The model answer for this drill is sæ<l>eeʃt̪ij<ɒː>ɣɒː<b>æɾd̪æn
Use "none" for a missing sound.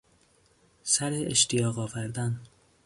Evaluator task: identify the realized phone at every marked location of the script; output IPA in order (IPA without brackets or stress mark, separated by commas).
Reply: ɾ, ɒː, v